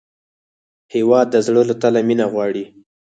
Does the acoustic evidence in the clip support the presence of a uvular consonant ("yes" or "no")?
no